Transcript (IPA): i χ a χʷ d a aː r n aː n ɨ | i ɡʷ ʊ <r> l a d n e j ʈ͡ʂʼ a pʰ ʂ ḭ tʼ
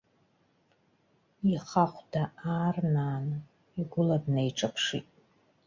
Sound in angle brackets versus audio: incorrect: none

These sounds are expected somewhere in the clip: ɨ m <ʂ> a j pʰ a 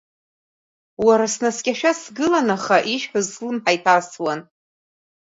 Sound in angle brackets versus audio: incorrect: ħ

